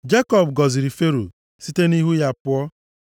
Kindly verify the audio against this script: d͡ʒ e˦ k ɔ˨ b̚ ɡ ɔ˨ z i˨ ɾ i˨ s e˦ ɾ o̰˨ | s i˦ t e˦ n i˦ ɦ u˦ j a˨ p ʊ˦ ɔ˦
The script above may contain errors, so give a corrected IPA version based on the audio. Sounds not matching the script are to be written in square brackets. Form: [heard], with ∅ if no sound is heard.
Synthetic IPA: d͡ʒ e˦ k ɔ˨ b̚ ɡ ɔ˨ z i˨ ɾ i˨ [f] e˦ ɾ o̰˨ | s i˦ t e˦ n i˦ ɦ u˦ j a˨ p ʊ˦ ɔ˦